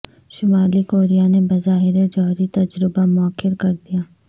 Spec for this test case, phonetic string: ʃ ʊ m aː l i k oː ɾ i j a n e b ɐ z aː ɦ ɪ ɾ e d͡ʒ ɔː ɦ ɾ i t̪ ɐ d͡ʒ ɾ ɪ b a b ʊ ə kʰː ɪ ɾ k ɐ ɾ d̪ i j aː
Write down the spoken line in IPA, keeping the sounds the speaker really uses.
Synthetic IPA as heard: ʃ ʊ m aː l i k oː ɾ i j a n e b ɐ z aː ɦ ɪ ɾ e d͡ʒ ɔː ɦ ɾ i t̪ ɐ d͡ʒ ɾ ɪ b a m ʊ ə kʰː ɪ ɾ k ɐ ɾ d̪ i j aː